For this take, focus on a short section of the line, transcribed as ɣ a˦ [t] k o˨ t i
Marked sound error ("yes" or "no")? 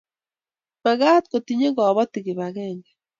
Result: no